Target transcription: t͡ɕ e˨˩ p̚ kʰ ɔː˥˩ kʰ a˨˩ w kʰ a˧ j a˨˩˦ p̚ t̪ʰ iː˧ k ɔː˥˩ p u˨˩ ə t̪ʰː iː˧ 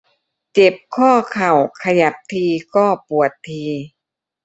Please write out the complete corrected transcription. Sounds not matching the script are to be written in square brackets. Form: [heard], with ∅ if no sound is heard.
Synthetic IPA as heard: t͡ɕ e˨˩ p̚ kʰ ɔː˥˩ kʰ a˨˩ w kʰ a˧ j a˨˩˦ p̚ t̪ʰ iː˧ k ɔː˥˩ p u˨˩ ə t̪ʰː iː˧